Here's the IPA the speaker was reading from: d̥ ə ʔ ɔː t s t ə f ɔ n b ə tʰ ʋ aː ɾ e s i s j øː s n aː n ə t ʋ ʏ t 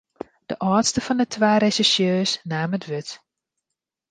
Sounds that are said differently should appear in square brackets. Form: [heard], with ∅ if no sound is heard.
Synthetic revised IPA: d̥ ə ʔ ɔː t s t ə f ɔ n [d] ə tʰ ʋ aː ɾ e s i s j øː s n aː [m] ə t ʋ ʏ t